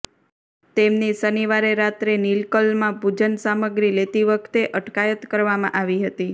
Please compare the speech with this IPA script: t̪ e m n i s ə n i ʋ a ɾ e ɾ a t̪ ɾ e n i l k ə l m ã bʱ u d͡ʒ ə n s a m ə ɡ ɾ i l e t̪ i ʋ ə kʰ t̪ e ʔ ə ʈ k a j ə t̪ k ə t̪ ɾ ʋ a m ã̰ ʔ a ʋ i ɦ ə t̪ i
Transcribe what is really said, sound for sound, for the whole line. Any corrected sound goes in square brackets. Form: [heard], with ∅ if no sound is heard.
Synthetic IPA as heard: t̪ e m n i s ə n i ʋ a ɾ e ɾ a t̪ ɾ e n i l k ə l m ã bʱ u d͡ʒ ə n s a m ə ɡ ɾ i l e t̪ i ʋ ə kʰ t̪ e ʔ ə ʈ k a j ə t̪ k ə [∅] ɾ ʋ a m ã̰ ʔ a ʋ i ɦ ə t̪ i